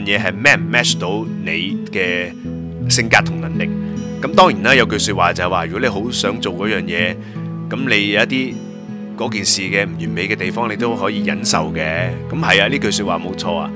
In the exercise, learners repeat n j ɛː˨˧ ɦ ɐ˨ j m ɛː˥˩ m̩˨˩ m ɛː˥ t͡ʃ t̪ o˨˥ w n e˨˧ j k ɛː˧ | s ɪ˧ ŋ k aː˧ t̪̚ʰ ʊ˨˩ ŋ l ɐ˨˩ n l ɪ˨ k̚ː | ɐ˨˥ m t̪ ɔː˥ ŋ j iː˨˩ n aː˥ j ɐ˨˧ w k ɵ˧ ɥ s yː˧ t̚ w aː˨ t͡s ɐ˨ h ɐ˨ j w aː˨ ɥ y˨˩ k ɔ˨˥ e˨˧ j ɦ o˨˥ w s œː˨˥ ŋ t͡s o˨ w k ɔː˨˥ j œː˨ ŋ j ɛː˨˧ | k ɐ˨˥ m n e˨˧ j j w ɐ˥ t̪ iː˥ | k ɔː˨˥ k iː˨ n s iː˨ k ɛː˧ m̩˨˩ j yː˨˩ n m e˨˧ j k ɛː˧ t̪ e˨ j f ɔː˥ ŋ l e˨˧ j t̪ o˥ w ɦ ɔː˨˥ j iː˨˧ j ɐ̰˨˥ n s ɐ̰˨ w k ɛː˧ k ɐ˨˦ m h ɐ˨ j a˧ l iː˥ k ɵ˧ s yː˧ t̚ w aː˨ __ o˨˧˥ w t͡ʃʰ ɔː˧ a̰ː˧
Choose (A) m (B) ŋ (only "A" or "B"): A